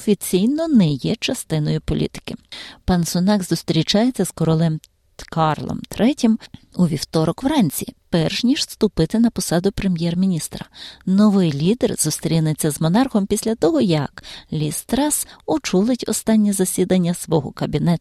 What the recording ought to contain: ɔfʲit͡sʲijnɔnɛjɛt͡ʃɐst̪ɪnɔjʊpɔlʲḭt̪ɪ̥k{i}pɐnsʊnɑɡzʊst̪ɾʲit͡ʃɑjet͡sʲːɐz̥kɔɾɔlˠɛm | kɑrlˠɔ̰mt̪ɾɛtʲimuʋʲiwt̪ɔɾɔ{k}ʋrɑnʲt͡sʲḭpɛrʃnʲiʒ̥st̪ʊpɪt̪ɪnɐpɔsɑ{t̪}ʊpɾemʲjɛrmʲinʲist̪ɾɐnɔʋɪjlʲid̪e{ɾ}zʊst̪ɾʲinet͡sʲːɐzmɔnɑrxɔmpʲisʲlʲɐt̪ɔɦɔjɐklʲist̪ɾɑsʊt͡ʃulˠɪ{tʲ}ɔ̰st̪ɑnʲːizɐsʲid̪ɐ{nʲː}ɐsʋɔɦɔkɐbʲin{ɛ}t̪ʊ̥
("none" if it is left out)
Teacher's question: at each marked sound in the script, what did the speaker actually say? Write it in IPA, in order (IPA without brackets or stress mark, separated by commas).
ɪ, k, d̪, r, tʲ, nʲː, ɛ